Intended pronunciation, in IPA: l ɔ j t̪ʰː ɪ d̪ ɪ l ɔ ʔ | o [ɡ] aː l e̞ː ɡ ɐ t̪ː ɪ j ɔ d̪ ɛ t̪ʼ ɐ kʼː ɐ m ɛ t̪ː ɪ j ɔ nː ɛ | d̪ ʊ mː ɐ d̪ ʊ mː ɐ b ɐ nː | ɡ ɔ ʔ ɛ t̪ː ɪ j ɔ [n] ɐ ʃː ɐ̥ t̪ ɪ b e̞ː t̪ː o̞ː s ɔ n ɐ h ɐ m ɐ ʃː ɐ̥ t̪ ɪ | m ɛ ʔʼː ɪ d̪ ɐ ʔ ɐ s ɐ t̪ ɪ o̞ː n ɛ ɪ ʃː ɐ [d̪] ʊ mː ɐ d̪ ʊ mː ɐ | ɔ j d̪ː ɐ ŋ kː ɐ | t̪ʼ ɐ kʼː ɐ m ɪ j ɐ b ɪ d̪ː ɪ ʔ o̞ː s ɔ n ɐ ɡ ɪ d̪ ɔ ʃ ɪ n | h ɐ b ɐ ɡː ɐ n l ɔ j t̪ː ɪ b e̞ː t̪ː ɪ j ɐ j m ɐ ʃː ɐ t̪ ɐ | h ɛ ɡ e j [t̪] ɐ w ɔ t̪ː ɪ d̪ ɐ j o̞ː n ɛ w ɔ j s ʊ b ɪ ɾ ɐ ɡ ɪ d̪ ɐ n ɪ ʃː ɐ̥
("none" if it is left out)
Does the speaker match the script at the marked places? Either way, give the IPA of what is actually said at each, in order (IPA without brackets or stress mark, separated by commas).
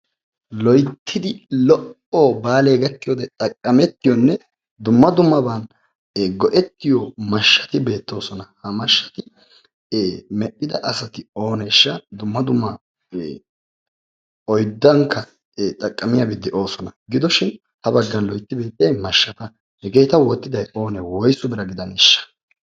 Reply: b, m, d̪, t̪